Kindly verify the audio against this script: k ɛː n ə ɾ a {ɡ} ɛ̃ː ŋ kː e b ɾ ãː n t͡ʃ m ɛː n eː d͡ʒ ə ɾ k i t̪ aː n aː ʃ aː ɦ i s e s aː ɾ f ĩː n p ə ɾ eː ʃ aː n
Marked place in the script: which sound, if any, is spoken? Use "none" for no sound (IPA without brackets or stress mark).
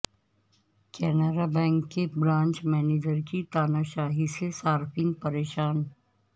b